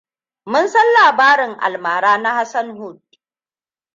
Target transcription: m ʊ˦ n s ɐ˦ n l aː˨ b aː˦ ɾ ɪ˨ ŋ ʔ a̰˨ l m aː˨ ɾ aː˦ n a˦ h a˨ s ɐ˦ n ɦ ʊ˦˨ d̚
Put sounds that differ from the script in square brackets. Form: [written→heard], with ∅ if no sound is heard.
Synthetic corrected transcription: m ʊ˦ n s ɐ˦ n l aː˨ b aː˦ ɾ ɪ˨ ŋ ʔ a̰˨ l m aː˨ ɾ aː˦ n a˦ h [a˨→a˦] s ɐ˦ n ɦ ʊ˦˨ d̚